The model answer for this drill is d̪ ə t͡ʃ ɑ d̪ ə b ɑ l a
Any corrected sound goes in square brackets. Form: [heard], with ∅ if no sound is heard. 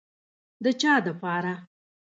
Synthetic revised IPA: d̪ ə t͡ʃ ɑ d̪ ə [p] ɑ [ɾ] a